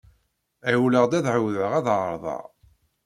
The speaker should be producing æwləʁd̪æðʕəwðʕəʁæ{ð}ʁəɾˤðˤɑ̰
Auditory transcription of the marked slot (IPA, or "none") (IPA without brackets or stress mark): ð